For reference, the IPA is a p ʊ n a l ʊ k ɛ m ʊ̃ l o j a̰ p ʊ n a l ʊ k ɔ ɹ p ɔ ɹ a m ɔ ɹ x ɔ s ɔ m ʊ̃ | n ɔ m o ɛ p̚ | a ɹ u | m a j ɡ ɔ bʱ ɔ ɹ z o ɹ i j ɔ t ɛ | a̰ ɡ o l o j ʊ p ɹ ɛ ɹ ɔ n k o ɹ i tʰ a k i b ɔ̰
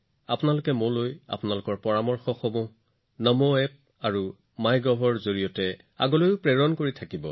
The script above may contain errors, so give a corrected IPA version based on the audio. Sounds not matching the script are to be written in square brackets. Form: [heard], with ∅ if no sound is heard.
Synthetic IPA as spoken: a p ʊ n a l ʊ k ɛ m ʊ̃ l o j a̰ p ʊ n a l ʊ k ɔ ɹ p ɔ ɹ a m ɔ ɹ x ɔ [x] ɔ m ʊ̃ | n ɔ m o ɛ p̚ | a ɹ u | m a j ɡ ɔ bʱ ɔ ɹ z o ɹ i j ɔ t ɛ | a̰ ɡ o l o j ʊ p ɹ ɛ ɹ ɔ n k o ɹ i tʰ a k i b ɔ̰